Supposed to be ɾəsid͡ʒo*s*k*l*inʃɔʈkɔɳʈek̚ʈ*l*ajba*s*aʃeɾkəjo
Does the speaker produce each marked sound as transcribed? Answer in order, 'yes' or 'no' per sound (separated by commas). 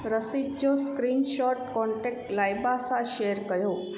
yes, no, yes, yes